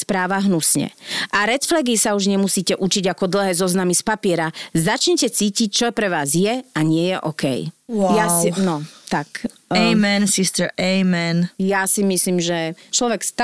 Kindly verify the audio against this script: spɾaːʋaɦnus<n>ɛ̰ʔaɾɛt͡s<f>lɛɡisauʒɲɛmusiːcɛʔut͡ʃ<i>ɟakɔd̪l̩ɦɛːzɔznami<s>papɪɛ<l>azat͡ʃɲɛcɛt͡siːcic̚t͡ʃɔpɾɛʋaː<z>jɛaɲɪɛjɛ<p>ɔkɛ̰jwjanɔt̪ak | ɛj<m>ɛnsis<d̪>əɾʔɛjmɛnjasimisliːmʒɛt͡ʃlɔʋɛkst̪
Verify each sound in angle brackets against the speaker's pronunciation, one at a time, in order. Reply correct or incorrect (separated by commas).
incorrect, correct, correct, correct, incorrect, correct, incorrect, correct, incorrect